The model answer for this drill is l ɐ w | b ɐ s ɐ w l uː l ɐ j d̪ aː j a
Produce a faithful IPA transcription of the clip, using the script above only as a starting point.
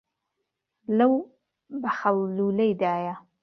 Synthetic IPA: l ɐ w | b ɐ x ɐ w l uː l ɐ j d̪ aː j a

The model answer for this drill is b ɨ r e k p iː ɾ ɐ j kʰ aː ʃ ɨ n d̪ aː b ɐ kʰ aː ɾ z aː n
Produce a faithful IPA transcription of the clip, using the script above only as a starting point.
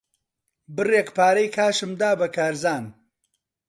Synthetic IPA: b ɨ r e k p aː ɾ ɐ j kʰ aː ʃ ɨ m d̪ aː b ɐ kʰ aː ɾ z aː n

